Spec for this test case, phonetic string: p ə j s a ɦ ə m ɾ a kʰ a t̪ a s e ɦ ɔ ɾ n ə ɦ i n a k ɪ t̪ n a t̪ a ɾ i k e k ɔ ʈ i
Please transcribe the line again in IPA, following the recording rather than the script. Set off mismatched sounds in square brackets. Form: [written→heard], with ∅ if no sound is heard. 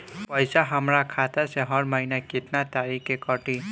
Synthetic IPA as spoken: p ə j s a ɦ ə m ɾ a kʰ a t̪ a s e ɦ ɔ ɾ [n→m] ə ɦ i n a k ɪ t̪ n a t̪ a ɾ i k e k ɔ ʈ i